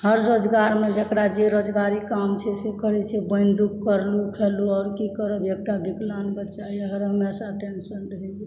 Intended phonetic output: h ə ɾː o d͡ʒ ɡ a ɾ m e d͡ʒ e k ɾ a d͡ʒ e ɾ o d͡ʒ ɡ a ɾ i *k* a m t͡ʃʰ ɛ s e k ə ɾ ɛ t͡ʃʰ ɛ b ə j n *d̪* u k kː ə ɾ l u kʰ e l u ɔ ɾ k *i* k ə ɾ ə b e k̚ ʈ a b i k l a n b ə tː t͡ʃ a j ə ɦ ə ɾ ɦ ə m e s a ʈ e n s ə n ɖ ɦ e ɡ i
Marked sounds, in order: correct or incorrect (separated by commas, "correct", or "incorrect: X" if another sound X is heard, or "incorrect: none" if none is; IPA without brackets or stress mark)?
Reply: correct, correct, correct